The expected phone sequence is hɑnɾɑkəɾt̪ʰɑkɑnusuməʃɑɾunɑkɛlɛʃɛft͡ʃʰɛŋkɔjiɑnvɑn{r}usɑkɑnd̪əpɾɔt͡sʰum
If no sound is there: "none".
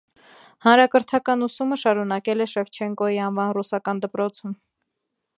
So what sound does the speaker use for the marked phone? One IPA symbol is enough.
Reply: r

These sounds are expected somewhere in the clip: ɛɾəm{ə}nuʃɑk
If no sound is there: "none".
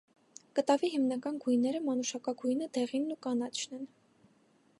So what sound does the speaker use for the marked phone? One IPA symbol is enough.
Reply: ɑ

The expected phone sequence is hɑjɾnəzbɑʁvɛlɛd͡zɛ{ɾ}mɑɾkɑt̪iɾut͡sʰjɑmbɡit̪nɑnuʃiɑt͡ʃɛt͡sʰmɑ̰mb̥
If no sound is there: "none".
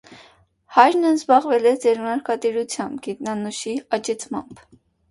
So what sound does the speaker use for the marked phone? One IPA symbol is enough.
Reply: ɾ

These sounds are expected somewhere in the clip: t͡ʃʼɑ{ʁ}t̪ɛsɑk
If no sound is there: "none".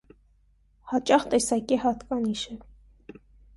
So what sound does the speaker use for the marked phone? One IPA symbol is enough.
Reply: χ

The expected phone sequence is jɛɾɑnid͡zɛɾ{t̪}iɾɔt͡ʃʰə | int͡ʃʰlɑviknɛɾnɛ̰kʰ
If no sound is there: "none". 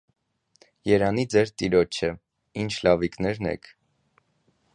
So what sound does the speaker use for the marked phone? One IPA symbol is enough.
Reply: t̪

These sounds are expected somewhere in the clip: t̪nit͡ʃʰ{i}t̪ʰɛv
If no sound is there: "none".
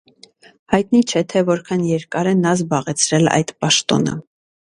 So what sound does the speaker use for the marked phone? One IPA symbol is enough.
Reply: ɛ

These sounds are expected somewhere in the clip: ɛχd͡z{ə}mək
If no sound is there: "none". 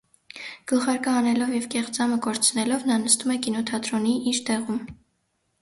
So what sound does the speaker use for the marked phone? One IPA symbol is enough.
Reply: ɑ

